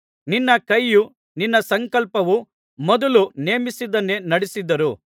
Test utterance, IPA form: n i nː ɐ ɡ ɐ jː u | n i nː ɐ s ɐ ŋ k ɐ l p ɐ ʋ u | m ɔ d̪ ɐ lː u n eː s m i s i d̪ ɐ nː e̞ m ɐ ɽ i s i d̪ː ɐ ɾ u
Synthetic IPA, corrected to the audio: n i nː ɐ k ɐ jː u | n i nː ɐ s ɐ ŋ k ɐ l p ɐ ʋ u | m ɔ d̪ ɐ l u n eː m i s i d̪ ɐ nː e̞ n ɐ ɽ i s i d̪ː ɐ ɾ u